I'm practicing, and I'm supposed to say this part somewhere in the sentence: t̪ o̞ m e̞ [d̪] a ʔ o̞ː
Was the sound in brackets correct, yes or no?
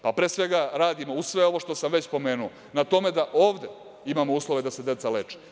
yes